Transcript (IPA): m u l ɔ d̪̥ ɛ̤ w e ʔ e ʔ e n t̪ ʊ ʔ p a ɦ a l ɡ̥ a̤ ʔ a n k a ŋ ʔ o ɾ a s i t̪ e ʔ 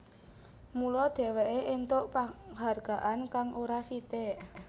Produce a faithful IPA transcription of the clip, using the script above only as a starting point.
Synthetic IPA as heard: m u l ɔ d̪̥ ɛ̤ w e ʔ e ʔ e n t̪ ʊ ʔ p a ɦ a r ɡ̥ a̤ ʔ a n k a ŋ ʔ o ɾ a s i t̪ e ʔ